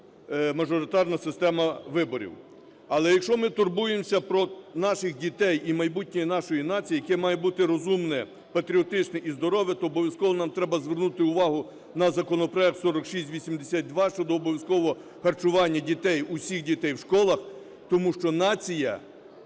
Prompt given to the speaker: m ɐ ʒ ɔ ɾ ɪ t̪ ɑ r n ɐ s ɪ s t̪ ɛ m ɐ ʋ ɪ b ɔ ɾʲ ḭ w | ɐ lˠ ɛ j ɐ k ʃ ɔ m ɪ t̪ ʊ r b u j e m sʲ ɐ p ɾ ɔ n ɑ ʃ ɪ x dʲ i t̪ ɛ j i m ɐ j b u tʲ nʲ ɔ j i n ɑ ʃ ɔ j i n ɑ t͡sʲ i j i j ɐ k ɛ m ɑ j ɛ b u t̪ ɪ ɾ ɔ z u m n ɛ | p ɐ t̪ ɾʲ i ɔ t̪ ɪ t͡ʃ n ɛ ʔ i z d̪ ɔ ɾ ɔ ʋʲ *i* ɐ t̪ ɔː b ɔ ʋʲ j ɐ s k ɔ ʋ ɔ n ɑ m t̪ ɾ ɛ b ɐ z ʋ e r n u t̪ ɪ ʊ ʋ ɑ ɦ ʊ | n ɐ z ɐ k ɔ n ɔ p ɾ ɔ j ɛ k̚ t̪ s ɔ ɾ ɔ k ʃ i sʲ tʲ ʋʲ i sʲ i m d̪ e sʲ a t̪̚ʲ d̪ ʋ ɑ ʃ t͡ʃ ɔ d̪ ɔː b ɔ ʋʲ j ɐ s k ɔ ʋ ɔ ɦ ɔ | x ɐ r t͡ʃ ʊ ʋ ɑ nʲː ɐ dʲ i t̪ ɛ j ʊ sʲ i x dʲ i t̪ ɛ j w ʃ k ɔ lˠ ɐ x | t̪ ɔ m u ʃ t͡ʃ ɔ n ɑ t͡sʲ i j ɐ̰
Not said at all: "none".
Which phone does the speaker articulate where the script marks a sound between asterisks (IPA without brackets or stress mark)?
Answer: j